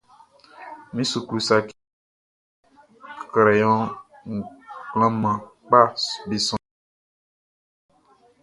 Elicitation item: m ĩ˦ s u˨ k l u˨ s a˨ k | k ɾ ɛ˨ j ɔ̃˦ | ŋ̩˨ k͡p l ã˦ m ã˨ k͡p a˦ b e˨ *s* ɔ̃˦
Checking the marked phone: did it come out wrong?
no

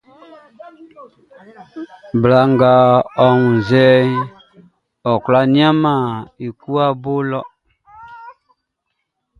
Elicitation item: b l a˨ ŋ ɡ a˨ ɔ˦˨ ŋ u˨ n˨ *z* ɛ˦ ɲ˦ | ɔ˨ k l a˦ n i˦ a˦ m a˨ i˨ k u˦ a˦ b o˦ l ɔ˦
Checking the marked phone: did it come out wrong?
no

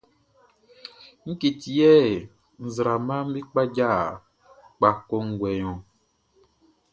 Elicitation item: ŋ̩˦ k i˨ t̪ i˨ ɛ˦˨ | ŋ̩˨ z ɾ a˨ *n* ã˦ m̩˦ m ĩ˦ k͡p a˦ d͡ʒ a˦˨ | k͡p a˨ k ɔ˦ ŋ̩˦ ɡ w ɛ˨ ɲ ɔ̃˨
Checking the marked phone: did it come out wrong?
yes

